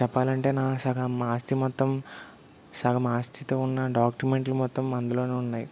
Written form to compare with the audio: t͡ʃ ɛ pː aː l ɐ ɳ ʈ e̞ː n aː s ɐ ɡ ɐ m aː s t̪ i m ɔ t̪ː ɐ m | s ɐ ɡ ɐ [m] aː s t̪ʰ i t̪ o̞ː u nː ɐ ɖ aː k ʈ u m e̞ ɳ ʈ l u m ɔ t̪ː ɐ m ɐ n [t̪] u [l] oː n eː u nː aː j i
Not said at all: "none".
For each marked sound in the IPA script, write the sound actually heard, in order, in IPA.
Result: m, d̪, l

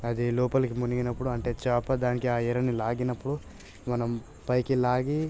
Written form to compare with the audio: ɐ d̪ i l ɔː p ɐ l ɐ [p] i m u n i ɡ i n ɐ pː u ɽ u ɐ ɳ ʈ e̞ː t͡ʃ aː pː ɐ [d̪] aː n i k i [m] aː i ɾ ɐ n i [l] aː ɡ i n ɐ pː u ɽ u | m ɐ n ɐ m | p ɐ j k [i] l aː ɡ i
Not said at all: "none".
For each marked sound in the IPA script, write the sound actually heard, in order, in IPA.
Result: k, d̪, none, l, i

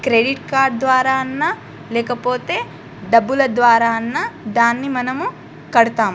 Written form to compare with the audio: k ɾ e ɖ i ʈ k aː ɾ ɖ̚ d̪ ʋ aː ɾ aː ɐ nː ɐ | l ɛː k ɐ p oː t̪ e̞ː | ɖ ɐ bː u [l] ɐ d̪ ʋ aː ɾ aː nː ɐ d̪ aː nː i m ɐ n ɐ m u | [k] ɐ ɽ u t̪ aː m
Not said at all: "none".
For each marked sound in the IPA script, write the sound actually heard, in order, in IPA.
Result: l, k

